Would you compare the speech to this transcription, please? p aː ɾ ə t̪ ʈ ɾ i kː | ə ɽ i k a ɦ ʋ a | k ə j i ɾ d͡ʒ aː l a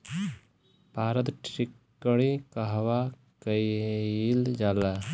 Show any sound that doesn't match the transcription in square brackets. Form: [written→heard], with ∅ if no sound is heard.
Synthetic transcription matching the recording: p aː ɾ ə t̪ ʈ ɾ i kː | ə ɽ i k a ɦ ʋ a | k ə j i [ɾ→l] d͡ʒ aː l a